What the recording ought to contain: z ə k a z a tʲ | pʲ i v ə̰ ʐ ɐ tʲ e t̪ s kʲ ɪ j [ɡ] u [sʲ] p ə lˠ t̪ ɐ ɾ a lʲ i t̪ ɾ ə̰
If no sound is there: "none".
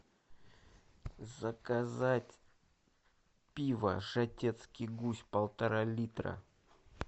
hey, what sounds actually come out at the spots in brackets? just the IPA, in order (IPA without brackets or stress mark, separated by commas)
ɡ, sʲ